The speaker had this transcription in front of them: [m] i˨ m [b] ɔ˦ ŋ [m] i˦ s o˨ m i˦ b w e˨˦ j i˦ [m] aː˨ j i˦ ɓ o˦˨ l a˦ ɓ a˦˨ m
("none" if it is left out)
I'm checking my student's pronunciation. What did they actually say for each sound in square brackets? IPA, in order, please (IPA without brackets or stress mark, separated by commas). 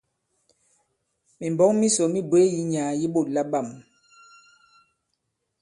m, b, m, ɲ